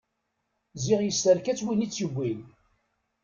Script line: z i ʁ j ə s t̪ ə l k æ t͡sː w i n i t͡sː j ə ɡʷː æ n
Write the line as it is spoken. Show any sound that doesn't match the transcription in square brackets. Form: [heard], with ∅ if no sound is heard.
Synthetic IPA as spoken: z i ʁ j ə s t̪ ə [ɾ] k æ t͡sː w i n i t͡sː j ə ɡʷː [i] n